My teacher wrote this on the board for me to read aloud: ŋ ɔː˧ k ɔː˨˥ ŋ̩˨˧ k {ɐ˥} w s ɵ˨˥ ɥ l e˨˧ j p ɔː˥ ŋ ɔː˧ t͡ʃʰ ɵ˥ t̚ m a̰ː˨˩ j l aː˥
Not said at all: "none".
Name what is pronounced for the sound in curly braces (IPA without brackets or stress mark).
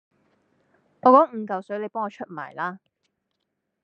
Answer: ɐ˨